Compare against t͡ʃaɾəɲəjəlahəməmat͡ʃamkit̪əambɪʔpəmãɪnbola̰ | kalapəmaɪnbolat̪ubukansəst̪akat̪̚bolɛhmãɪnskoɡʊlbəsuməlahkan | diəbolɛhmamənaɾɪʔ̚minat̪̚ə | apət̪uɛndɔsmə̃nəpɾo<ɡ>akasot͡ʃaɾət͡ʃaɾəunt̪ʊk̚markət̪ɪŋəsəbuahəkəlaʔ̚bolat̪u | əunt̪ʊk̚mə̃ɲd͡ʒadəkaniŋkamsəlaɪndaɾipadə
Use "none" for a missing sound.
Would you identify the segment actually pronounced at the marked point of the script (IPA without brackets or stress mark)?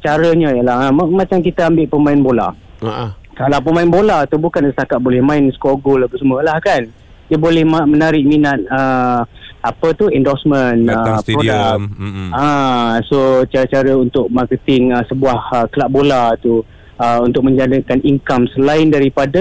d